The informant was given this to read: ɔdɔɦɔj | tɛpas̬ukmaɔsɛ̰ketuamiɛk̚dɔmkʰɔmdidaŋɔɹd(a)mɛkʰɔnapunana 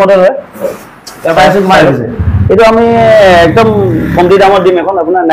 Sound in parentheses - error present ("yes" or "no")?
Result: yes